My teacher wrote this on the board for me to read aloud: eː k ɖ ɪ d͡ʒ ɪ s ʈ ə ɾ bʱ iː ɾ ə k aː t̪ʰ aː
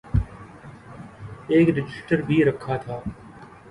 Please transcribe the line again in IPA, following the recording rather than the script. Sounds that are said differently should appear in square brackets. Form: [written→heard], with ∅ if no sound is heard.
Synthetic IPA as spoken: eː k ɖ ɪ d͡ʒ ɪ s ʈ ə ɾ bʱ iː ɾ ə [k→kʰ] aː t̪ʰ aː